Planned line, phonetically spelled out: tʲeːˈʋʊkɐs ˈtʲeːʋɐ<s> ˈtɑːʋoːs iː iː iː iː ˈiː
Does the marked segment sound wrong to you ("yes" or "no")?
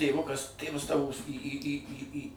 no